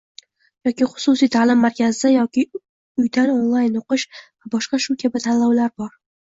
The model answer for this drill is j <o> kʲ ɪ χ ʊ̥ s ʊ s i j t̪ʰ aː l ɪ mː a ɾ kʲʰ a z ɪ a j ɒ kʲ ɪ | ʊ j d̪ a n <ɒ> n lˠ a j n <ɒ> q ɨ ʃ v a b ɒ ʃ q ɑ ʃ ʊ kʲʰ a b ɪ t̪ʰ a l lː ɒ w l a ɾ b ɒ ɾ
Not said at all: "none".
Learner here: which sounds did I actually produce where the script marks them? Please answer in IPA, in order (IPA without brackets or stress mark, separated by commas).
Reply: ɒ, o, o